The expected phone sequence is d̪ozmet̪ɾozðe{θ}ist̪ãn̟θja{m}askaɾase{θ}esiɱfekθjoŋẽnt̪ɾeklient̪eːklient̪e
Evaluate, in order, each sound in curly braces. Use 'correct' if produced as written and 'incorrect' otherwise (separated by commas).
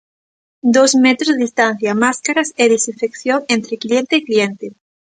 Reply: incorrect, correct, incorrect